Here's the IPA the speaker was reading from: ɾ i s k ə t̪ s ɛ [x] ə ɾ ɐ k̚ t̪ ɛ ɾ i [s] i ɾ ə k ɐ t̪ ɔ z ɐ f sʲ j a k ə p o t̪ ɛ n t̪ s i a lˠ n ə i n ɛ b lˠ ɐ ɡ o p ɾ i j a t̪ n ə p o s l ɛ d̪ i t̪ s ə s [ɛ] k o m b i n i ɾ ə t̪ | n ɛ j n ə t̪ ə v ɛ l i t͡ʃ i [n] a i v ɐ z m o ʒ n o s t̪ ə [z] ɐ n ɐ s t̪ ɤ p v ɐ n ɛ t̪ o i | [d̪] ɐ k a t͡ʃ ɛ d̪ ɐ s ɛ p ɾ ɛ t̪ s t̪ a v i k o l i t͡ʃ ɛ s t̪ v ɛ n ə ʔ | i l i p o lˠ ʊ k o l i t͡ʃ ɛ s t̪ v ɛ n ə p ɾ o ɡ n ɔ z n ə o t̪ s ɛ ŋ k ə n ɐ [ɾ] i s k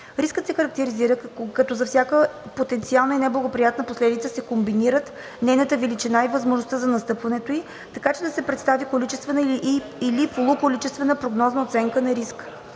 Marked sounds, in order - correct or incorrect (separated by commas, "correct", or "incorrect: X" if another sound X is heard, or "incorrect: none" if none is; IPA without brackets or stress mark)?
correct, incorrect: z, correct, correct, correct, incorrect: t̪, correct